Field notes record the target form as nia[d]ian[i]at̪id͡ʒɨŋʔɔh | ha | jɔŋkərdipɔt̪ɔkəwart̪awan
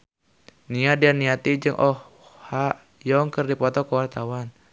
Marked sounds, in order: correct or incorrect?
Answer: correct, correct

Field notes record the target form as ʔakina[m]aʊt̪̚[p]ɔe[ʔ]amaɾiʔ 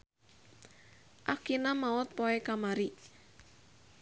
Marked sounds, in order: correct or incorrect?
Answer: correct, correct, incorrect

